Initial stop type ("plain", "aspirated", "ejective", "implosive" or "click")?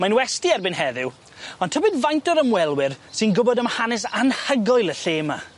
plain